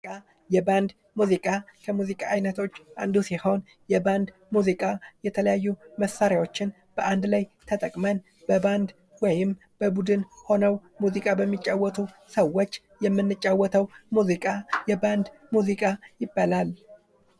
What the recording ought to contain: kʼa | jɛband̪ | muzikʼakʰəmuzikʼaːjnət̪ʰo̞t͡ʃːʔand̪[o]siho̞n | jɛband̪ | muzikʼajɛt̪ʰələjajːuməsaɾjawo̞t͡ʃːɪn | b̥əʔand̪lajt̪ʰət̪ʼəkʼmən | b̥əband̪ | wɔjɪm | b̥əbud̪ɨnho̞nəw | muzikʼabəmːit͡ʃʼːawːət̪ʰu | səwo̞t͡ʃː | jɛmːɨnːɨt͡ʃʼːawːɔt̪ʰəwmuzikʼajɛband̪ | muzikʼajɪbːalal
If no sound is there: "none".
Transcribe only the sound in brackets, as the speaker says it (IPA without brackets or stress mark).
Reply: u